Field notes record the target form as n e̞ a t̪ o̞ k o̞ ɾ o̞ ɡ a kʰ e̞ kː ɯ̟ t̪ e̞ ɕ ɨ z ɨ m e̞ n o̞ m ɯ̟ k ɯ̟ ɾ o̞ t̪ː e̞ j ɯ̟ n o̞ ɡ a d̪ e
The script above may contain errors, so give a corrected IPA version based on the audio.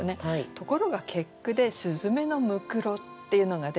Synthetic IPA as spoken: n e̞ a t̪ o̞ k o̞ ɾ o̞ ɡ a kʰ e̞ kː ɯ̟ d̪ e̞ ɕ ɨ z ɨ m e̞ n o̞ m ɯ̟ k ɯ̟ ɾ o̞ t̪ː e̞ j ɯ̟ n o̞ ɡ a d̪ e